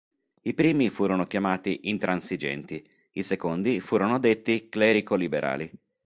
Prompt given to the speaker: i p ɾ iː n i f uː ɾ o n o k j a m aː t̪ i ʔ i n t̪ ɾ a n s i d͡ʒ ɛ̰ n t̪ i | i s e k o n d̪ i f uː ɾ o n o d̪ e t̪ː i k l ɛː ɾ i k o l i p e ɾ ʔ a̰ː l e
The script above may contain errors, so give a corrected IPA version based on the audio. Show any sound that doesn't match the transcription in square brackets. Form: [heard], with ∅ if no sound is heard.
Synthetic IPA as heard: i p ɾ iː [m] i f uː ɾ o n o k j a m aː t̪ i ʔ i n t̪ ɾ a n s i d͡ʒ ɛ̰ n t̪ i | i s e k o n d̪ i f uː ɾ o n o d̪ e t̪ː i k l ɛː ɾ i k o l i [b] e ɾ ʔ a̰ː l [i]